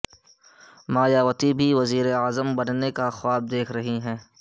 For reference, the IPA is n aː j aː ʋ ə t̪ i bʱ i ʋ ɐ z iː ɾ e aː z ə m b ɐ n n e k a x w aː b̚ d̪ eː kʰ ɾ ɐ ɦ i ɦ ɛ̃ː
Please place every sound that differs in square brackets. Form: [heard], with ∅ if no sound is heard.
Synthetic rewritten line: [m] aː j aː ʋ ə t̪ i bʱ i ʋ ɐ z iː ɾ e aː z ə m b ɐ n n e k a x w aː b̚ d̪ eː kʰ ɾ ɐ ɦ i ɦ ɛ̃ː